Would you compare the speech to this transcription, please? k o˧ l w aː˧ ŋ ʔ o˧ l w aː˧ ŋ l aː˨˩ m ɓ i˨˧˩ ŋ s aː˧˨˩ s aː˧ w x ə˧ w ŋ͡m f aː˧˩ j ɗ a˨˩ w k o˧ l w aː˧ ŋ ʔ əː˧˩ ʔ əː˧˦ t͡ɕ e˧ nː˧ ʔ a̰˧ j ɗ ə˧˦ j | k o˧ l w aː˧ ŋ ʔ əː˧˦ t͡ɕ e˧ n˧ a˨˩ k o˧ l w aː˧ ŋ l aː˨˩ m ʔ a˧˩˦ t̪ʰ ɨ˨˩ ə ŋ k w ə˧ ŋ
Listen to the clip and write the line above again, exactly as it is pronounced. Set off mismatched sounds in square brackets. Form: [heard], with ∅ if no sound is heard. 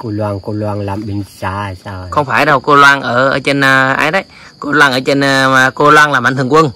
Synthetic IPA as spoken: k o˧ l w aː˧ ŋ [k] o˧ l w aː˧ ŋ l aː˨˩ m ɓ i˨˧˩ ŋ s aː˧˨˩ s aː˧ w x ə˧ w ŋ͡m f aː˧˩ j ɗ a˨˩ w k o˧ l w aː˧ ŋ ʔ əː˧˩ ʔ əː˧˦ t͡ɕ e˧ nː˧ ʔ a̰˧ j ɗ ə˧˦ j | k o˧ l w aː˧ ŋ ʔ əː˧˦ t͡ɕ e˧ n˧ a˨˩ k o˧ l w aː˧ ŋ l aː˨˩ m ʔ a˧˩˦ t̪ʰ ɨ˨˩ ə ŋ k w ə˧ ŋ